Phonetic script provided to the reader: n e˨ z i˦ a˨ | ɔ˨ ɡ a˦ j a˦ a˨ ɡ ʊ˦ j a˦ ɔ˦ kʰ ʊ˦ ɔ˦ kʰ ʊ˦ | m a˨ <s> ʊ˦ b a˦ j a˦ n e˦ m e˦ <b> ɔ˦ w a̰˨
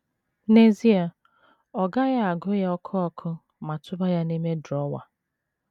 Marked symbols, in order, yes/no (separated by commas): no, no